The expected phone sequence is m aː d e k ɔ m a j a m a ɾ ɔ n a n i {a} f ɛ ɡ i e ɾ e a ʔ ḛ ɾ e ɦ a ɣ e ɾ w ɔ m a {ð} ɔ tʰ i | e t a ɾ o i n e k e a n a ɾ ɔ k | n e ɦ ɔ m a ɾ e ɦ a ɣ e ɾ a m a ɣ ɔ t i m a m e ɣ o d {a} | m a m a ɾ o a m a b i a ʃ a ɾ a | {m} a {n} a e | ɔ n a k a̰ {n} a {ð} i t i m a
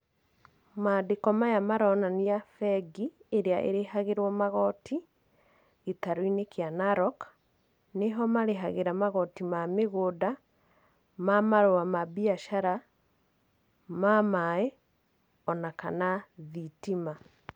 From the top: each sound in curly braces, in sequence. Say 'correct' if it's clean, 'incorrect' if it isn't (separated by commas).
correct, incorrect, correct, correct, incorrect, correct, correct